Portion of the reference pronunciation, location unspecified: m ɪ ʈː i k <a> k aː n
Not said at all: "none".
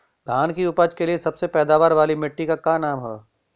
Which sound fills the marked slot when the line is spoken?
a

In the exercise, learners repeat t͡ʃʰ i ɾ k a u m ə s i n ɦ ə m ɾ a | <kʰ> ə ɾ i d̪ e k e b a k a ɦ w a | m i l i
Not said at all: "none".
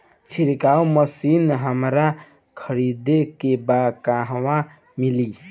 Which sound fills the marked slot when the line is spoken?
kʰ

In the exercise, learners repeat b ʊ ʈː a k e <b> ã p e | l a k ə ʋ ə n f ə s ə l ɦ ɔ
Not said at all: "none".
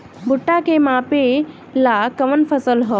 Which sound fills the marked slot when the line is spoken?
m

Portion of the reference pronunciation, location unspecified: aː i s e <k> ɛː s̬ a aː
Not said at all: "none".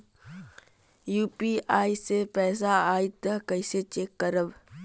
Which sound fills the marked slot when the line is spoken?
p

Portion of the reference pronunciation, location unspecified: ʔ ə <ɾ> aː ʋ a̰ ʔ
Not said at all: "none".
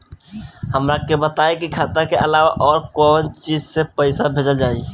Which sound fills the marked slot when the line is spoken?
l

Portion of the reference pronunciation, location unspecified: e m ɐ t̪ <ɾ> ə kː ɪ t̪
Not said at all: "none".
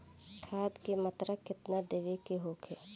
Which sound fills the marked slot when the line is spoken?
ɾ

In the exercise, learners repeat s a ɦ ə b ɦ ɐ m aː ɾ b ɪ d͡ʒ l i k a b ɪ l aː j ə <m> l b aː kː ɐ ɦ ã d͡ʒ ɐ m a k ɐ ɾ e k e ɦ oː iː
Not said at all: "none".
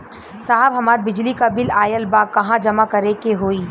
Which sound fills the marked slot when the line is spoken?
none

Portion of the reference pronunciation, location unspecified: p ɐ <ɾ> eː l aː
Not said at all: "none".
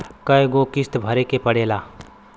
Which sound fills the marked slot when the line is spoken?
ɽ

